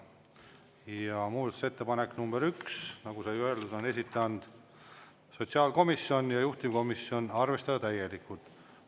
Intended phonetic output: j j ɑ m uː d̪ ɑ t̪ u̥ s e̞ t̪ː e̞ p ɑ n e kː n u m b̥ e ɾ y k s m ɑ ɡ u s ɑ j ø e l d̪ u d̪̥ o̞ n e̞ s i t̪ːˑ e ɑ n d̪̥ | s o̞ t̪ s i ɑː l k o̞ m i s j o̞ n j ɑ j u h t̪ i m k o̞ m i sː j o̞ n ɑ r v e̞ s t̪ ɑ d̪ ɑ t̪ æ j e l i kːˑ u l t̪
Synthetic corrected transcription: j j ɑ m uː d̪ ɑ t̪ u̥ s e̞ t̪ː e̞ p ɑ n e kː n u m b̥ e ɾ y k s n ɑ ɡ u s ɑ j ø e l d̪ u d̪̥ o̞ n e̞ s i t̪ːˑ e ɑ n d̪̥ | s o̞ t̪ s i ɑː l k o̞ m i s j o̞ n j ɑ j u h t̪ i m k o̞ m i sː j o̞ n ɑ r v e̞ s t̪ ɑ d̪ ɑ t̪ æ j e l i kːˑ u l t̪